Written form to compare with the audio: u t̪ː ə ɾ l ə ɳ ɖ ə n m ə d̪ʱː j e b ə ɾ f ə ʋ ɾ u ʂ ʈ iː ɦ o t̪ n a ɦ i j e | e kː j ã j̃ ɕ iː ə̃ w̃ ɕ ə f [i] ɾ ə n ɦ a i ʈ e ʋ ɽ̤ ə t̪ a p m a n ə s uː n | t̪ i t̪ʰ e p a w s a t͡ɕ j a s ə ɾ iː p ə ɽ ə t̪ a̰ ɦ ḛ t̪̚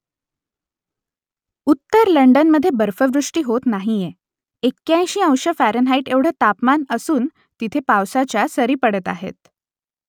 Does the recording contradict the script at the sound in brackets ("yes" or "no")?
yes